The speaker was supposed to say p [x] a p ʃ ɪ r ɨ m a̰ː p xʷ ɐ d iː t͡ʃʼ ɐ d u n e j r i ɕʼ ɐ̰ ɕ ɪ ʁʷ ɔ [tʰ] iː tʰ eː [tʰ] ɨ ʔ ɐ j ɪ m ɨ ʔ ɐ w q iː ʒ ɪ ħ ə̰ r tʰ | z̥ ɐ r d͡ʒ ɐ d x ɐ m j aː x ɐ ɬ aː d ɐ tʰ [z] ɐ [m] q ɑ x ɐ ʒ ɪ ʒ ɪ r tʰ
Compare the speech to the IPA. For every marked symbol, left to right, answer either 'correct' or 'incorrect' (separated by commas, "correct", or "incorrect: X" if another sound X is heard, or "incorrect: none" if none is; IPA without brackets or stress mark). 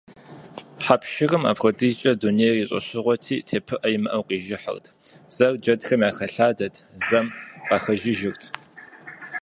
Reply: incorrect: ħ, correct, incorrect: pʰ, correct, correct